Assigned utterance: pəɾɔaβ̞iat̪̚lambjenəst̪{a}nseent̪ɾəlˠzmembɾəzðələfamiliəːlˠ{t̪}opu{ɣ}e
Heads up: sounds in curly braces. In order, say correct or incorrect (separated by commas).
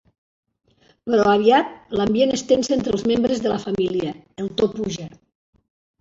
incorrect, correct, incorrect